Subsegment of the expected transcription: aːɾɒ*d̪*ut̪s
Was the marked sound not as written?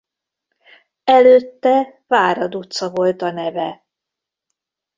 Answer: no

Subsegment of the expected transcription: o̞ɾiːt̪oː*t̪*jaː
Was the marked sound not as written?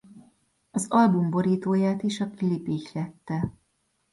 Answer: yes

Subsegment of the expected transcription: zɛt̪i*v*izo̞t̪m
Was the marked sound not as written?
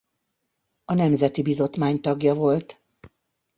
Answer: yes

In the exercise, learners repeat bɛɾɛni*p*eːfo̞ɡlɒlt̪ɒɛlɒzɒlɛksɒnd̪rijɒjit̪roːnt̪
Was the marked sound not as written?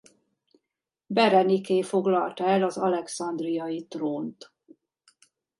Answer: yes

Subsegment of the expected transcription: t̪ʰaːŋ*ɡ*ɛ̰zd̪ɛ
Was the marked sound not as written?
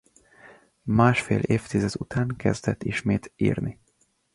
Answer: yes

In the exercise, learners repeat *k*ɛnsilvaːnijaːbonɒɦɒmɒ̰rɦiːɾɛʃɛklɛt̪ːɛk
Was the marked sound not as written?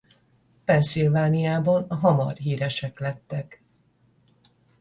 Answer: yes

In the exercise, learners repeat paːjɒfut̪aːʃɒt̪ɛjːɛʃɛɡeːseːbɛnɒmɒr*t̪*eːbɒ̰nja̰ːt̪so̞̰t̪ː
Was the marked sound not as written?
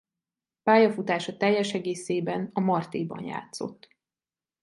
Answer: no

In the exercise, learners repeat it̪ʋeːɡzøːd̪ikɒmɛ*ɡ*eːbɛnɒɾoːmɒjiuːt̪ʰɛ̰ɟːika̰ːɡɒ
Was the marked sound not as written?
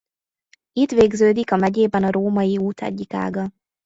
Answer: yes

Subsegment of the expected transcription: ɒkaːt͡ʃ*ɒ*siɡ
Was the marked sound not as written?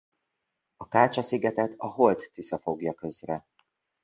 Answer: no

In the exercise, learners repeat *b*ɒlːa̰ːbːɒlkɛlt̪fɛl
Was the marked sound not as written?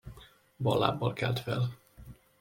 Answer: no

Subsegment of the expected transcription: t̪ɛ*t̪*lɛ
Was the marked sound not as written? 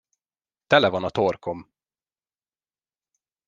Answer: yes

